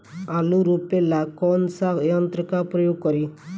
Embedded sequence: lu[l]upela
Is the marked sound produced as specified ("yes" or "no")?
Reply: no